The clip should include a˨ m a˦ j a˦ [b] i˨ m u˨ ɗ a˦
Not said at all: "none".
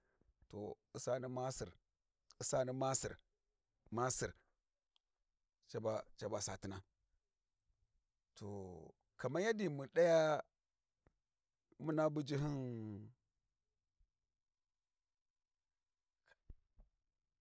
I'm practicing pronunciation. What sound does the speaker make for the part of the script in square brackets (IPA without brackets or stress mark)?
d